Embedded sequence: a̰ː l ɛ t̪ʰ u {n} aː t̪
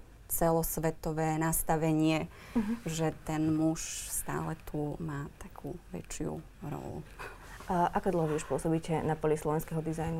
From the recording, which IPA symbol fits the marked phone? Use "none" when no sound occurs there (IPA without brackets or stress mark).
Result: m